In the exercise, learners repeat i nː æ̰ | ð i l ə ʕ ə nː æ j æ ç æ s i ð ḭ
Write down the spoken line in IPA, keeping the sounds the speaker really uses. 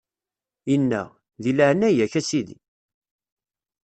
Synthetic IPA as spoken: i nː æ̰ | ð i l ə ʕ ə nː æ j æ ç æ s i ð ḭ